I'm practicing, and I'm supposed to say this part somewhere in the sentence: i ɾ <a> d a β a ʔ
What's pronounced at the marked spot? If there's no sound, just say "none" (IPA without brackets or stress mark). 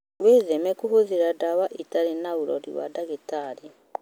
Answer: a